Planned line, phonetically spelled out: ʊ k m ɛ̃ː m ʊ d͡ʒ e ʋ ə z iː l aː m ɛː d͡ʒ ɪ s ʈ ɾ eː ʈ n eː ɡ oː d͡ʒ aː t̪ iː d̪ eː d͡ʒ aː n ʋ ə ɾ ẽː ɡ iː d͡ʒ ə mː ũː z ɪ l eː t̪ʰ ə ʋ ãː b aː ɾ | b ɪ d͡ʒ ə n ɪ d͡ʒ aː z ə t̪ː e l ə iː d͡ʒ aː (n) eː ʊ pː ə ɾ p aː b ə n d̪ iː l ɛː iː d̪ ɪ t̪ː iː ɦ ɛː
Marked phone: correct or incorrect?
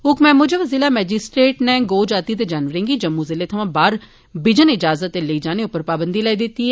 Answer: correct